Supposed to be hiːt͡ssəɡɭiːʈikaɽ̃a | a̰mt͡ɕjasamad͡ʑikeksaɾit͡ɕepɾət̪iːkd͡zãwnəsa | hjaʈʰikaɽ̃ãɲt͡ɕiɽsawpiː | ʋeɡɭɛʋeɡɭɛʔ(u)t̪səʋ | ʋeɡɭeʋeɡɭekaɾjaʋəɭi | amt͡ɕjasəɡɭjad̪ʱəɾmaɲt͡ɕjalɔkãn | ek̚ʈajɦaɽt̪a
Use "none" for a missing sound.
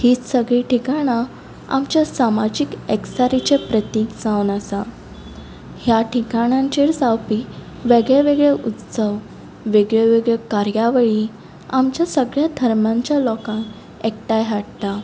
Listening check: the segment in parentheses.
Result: u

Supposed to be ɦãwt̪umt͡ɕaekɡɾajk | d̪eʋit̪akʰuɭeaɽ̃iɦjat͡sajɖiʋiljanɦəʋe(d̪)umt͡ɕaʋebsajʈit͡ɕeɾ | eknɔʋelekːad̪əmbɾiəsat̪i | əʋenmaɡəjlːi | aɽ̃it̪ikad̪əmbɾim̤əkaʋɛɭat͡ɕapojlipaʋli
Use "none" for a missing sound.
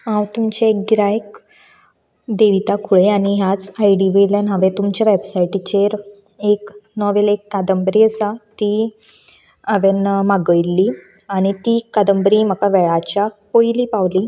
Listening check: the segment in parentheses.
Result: t̪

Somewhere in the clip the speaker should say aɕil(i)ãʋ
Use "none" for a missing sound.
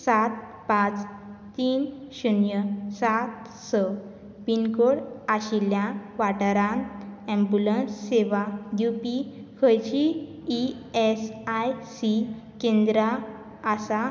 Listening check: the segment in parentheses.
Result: j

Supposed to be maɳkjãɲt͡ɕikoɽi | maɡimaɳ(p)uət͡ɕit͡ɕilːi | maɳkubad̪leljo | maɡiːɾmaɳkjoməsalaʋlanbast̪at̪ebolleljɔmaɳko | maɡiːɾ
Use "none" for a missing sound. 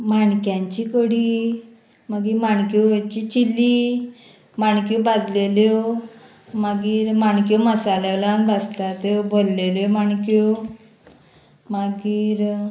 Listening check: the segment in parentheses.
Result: k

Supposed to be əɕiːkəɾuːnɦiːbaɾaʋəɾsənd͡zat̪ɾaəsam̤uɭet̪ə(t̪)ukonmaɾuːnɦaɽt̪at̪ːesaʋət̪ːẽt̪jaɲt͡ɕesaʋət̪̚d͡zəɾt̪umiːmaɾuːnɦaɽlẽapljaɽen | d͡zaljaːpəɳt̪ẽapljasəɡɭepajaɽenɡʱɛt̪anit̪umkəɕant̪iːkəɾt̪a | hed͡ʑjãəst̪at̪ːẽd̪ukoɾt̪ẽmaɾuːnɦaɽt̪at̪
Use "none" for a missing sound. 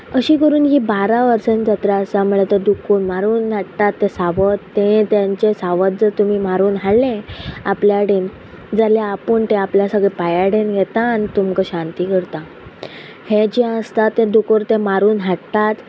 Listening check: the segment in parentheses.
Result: d̪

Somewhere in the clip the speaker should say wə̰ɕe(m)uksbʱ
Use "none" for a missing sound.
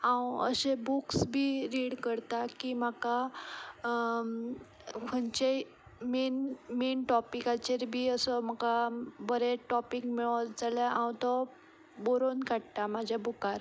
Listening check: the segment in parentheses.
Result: b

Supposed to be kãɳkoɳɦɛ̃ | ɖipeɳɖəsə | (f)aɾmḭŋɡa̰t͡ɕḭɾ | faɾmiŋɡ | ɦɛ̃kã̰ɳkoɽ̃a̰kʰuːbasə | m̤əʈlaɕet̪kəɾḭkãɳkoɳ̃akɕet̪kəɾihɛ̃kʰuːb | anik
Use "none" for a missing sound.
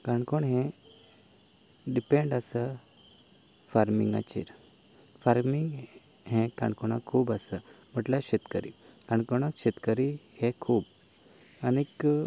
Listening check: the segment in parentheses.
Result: f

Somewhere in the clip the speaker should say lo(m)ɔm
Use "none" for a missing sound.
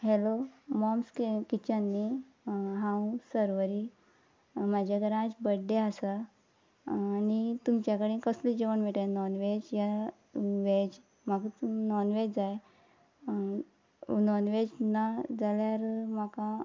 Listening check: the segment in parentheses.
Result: m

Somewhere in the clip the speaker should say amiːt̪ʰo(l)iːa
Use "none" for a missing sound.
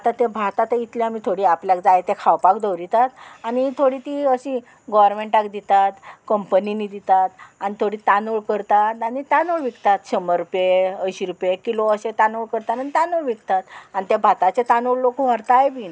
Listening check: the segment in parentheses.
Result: ɽ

